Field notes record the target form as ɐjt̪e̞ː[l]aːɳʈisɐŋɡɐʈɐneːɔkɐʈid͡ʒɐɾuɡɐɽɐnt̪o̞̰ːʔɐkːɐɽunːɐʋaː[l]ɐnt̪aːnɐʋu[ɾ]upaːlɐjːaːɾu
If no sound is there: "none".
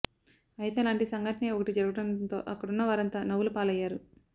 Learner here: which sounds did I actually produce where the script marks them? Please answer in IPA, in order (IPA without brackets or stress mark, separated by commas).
l, ɾ, l